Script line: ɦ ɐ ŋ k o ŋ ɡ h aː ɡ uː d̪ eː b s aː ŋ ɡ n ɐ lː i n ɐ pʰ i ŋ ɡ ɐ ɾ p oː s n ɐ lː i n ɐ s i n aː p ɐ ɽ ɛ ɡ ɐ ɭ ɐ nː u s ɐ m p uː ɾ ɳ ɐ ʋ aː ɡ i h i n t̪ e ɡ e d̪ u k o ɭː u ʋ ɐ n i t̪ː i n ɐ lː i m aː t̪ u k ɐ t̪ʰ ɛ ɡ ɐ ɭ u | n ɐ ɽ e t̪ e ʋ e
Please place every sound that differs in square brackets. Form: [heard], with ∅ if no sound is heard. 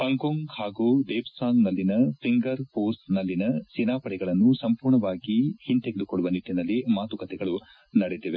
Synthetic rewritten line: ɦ ɐ ŋ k o ŋ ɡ h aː ɡ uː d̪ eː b s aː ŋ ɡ n ɐ lː i n ɐ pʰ i ŋ ɡ ɐ ɾ p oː s n ɐ lː i n ɐ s i n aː p ɐ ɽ ɛ ɡ ɐ ɭ ɐ nː u s ɐ m p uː ɾ ɳ ɐ ʋ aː ɡ i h i n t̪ e ɡ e d̪ u k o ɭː u ʋ ɐ n i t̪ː i n ɐ lː i m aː t̪ u k ɐ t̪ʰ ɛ ɡ ɐ ɭ u | n ɐ ɽ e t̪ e ʋ e